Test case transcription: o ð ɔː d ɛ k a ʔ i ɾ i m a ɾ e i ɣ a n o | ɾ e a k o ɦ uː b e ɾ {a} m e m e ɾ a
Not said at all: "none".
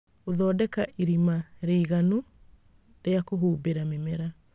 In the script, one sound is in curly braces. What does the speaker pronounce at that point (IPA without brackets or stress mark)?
a